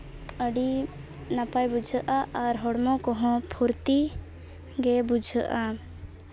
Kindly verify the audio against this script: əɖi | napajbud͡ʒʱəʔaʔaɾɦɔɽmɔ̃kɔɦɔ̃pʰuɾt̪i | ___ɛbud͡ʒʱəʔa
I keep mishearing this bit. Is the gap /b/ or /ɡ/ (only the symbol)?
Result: ɡ